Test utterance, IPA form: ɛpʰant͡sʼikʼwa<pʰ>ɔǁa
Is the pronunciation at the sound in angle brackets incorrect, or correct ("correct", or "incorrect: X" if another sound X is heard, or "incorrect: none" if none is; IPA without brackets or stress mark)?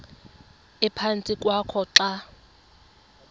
incorrect: kʰ